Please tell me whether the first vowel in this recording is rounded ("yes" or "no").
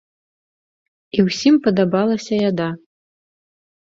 no